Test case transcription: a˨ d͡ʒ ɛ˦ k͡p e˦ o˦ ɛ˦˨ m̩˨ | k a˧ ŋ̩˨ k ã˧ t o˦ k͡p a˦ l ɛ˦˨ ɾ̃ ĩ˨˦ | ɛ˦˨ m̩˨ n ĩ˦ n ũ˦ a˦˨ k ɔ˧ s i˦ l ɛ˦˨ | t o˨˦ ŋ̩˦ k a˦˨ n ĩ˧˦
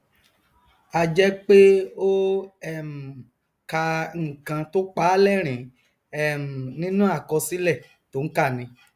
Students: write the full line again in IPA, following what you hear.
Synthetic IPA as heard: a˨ d͡ʒ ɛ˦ k͡p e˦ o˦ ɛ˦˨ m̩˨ | k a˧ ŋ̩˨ k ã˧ t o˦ k͡p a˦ l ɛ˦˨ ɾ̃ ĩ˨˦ | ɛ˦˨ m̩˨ n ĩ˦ n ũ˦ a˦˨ k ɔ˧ s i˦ l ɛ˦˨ | t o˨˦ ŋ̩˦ k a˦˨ n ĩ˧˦